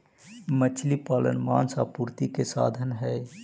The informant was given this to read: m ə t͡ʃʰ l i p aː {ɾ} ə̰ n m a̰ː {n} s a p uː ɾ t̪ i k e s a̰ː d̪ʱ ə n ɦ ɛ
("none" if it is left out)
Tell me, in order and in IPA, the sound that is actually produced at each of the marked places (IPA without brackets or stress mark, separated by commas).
l, n